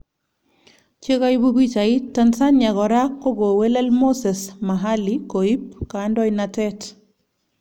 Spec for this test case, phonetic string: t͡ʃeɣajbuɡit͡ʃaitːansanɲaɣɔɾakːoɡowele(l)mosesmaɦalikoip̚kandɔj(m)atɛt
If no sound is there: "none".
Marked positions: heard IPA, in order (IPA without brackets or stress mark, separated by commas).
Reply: l, n